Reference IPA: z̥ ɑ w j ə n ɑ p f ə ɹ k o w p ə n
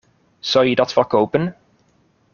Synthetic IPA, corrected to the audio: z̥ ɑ w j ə d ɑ t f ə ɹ k o w p ə n